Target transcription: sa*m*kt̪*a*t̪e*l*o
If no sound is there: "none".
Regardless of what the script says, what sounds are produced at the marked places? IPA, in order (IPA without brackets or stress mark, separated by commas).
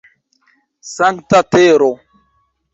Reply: ŋ, a, ɾ